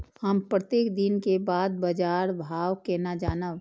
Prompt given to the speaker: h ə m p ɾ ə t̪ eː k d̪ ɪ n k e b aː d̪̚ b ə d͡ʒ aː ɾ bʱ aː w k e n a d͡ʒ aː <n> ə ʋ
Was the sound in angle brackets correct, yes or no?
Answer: yes